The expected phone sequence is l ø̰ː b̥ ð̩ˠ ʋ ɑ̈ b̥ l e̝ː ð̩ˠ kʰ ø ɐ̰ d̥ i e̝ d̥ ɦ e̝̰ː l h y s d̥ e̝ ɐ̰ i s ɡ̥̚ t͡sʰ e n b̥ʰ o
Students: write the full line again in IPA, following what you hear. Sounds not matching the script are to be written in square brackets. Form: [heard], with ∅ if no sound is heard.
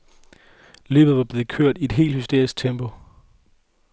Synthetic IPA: l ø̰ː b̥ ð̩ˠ ʋ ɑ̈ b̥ l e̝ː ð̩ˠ kʰ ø ɐ̰ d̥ i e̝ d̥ ɦ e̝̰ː l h y s d̥ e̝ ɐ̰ i s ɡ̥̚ t͡sʰ e [m] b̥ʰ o

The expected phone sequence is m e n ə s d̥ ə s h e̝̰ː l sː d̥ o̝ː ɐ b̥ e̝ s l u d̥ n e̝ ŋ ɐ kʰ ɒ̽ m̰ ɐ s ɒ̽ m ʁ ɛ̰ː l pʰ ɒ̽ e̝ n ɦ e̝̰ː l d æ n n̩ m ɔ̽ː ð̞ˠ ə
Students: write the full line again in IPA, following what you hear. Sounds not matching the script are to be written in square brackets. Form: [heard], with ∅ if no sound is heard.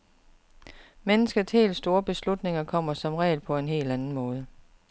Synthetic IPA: m e n ə s [ɡ̥] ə s h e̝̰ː l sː d̥ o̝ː ɐ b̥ e̝ s l u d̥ n e̝ ŋ ɐ kʰ ɒ̽ m̰ ɐ s ɒ̽ m ʁ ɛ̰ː l pʰ ɒ̽ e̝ n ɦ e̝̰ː l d æ n n̩ m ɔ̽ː ð̞ˠ ə

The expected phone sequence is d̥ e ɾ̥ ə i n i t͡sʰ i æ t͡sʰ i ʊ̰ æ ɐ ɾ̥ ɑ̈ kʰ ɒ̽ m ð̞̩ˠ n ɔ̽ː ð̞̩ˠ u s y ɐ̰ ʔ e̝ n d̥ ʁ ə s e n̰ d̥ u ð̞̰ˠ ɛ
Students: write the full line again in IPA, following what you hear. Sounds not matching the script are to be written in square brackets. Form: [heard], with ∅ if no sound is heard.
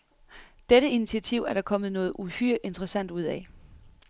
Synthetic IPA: d̥ e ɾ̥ ə i n i t͡sʰ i æ t͡sʰ i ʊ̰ æ ɐ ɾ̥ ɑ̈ kʰ ɒ̽ m ð̞̩ˠ n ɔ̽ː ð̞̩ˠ u [h] y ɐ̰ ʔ e̝ n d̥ ʁ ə s [æ] n̰ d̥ u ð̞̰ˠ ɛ

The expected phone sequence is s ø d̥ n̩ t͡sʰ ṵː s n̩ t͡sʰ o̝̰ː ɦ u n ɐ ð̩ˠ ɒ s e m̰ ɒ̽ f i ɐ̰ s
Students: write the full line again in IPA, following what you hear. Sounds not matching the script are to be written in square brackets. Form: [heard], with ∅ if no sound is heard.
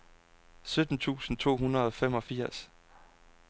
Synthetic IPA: s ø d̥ n̩ t͡sʰ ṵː s n̩ t͡sʰ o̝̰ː ɦ u n ɐ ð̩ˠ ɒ [f] e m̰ ɒ̽ f i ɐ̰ s

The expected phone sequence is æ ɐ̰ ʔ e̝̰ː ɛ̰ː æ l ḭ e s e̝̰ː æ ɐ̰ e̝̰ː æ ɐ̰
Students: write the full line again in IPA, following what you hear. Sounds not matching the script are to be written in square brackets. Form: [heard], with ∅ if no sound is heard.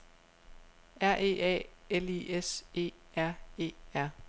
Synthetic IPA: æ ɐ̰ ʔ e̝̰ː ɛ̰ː [e] l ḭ e s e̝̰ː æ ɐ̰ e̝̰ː æ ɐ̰

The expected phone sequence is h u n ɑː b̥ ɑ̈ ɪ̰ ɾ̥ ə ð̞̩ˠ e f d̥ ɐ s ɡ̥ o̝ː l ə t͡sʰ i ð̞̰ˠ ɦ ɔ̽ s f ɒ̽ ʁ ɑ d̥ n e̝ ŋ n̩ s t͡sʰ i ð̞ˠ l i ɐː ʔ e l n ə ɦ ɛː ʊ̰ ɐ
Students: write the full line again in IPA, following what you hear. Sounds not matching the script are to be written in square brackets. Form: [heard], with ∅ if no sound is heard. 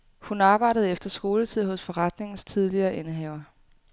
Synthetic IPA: h u n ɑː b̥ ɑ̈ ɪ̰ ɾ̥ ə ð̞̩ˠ e f d̥ ɐ s ɡ̥ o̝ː l ə t͡sʰ i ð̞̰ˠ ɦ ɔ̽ s f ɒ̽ ʁ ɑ d̥ n e̝ ŋ n̩ s t͡sʰ i ð̞ˠ l i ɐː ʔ e [∅] n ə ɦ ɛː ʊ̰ ɐ

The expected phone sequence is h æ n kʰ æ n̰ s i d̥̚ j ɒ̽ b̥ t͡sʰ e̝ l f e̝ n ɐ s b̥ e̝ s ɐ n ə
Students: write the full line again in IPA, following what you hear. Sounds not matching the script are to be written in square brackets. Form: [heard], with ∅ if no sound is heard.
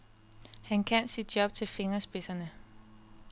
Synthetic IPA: h æ n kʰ æ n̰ s i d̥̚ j ɒ̽ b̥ t͡sʰ e̝ l f e̝ [ŋ] ɐ s b̥ e̝ s ɐ n ə

